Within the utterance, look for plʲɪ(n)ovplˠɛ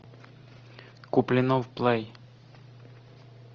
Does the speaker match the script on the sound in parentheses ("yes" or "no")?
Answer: yes